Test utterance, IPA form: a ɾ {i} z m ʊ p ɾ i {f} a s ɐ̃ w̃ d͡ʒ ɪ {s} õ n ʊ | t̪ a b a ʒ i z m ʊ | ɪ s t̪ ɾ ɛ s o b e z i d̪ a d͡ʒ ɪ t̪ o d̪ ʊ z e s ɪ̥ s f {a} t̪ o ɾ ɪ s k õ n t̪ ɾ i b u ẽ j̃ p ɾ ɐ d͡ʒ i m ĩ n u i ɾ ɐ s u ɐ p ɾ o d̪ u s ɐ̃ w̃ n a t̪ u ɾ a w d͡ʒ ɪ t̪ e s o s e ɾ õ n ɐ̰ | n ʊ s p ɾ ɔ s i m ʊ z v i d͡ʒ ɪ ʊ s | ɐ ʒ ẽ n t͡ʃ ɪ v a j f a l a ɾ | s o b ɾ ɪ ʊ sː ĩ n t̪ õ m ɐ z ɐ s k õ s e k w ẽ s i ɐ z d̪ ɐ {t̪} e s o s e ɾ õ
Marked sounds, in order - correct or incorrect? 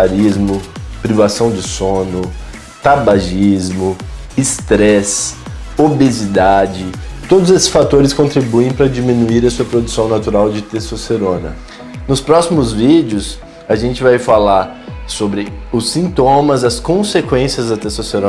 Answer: correct, incorrect: v, correct, correct, correct

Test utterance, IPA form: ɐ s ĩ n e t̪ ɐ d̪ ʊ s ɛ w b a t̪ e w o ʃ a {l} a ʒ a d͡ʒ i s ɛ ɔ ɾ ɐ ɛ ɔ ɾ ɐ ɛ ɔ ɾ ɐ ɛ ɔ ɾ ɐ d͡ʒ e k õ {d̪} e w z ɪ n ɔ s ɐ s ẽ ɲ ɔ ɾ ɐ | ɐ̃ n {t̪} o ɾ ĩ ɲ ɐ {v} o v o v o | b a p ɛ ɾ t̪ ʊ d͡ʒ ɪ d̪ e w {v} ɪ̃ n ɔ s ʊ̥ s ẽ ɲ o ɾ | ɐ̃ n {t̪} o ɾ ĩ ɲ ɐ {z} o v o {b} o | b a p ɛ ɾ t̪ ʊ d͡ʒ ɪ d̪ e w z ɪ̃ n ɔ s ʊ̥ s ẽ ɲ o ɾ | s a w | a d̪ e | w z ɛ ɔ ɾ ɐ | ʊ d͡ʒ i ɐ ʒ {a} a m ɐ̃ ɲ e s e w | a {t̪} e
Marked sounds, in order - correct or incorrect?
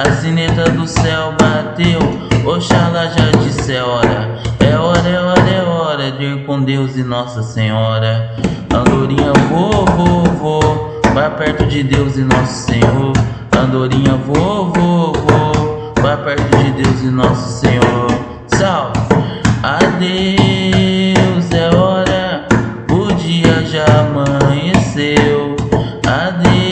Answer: correct, correct, incorrect: d̪, correct, incorrect: z, incorrect: d̪, incorrect: v, incorrect: v, correct, incorrect: d̪

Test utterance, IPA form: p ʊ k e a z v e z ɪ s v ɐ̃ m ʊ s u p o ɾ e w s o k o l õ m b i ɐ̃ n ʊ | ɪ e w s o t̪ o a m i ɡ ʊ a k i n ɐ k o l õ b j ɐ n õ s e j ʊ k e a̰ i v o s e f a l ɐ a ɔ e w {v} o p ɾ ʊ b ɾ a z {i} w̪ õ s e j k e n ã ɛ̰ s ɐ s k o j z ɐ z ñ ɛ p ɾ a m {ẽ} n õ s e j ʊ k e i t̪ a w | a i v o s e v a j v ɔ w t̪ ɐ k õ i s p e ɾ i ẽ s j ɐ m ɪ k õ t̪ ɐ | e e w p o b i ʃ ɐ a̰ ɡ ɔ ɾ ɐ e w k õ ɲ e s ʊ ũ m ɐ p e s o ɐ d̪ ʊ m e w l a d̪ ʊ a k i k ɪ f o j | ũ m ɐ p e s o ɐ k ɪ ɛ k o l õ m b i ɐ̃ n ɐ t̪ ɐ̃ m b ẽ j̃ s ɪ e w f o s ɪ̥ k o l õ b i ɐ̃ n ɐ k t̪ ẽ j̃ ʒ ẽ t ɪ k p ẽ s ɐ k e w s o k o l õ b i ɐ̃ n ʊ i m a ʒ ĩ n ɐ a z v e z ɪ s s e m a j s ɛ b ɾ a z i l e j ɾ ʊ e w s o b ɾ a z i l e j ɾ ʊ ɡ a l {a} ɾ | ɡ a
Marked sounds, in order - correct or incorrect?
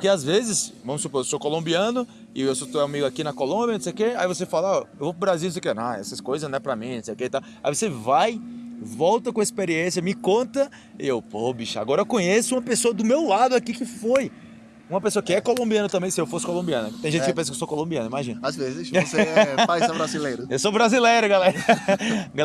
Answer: correct, correct, incorrect: ĩ, incorrect: ɛ

